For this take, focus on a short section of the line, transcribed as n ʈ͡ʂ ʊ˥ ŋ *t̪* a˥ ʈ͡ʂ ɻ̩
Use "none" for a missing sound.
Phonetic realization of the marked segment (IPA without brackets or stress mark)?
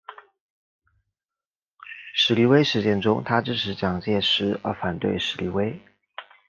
t̪ʰ